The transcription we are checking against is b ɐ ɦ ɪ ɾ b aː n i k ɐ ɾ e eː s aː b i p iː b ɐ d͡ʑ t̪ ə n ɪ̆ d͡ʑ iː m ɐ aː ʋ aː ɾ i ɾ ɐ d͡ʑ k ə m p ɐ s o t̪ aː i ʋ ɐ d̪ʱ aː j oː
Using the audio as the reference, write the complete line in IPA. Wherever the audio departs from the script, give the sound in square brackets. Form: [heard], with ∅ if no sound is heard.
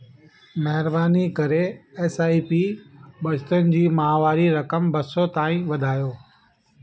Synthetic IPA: [m] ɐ ɦ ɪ ɾ b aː n i k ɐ ɾ e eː s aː [∅] i p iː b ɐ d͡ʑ t̪ ə n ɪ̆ d͡ʑ iː m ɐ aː ʋ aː ɾ i ɾ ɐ [∅] k ə m [b] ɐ s o t̪ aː [ĩ] ʋ ɐ d̪ʱ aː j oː